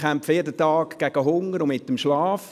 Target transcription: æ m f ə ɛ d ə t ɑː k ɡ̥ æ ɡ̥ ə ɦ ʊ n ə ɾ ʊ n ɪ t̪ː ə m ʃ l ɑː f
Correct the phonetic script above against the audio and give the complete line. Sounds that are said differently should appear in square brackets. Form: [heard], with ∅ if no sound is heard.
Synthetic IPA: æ m f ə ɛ d ə t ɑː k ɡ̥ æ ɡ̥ ə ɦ ʊ [ŋ] ə ɾ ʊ [m] ɪ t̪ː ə m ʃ l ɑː f